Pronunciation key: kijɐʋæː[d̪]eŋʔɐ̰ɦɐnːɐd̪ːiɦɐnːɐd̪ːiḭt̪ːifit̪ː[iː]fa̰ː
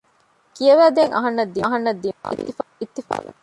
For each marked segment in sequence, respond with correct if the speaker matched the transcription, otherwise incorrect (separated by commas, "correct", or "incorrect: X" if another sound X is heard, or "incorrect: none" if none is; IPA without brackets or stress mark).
correct, incorrect: i